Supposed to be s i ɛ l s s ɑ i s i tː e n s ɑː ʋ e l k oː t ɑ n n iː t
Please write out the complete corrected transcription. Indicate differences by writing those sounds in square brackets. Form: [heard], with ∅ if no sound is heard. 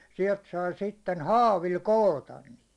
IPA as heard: s i ɛ l [t] s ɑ i s i tː e n [h] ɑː ʋ [i] l k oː t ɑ n n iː t